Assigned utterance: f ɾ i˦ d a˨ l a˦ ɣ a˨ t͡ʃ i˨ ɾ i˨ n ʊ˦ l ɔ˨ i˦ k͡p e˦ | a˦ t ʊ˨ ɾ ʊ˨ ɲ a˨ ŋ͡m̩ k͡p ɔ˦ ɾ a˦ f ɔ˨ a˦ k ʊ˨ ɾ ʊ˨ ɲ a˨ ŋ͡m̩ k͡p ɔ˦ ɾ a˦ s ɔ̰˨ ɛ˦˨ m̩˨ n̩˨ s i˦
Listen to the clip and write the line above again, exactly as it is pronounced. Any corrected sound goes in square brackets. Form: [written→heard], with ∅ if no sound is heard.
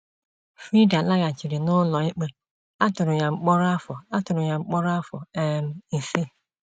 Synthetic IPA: f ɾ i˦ d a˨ l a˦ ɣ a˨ t͡ʃ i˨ ɾ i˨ n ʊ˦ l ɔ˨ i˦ k͡p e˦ | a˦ t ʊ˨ ɾ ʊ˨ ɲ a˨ ŋ͡m̩ k͡p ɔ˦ ɾ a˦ f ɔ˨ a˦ [k→t] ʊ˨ ɾ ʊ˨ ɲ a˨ ŋ͡m̩ k͡p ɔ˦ ɾ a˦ [s→f] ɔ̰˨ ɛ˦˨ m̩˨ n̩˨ s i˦